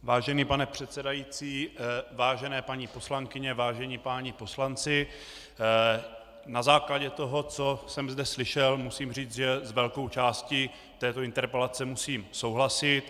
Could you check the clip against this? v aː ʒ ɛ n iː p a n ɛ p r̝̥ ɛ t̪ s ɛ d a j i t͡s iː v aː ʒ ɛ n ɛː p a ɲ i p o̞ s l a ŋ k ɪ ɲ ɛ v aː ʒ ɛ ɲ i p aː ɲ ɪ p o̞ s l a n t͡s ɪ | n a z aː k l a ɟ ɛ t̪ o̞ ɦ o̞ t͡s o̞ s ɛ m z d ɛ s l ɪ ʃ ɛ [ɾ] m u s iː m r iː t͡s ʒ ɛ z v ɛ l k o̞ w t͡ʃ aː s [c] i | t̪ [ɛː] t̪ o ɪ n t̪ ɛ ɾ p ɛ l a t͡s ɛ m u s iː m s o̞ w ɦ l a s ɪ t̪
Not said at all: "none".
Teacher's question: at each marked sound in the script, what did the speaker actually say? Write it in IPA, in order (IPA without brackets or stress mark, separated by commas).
l, c, ɛː